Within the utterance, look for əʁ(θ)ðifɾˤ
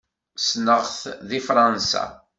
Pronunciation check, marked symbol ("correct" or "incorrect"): correct